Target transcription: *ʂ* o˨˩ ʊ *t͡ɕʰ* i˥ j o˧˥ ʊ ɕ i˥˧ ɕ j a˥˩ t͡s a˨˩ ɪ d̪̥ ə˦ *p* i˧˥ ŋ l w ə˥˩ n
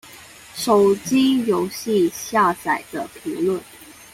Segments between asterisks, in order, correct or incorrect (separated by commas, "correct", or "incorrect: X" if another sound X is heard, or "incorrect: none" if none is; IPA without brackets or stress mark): correct, incorrect: t͡ɕ, incorrect: pʰ